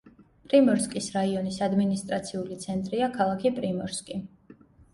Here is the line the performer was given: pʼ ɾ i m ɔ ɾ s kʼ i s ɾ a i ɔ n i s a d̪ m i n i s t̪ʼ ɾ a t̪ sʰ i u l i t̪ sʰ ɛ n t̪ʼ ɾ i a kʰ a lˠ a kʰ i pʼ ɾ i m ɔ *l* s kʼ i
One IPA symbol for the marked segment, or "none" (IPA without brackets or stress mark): ɾ